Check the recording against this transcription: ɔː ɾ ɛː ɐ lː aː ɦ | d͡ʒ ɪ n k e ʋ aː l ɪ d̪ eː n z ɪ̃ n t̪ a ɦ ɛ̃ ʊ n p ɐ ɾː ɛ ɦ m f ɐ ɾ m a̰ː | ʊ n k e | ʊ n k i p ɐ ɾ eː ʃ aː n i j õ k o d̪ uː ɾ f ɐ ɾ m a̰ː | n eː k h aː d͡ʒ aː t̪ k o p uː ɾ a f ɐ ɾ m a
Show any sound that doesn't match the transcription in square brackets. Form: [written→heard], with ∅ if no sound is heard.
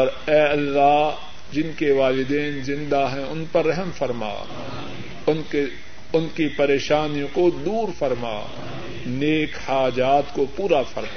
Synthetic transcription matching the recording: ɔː ɾ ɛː ɐ lː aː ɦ | d͡ʒ ɪ n k e ʋ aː l ɪ d̪ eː n z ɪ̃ n [t̪→d̪] a ɦ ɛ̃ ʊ n p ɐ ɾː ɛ ɦ m f ɐ ɾ m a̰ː | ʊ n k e | ʊ n k i p ɐ ɾ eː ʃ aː n i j õ k o d̪ uː ɾ f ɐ ɾ m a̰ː | n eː k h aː d͡ʒ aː t̪ k o p uː ɾ a f ɐ ɾ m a